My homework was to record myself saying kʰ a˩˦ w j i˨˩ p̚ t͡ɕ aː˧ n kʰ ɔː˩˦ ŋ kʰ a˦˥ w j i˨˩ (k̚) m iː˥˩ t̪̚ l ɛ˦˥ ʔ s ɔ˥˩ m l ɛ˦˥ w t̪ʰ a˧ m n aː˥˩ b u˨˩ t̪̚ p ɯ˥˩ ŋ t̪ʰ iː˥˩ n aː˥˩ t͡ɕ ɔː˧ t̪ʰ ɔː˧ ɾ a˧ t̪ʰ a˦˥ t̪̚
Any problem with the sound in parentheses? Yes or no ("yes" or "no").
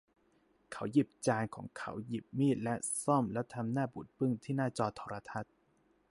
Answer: yes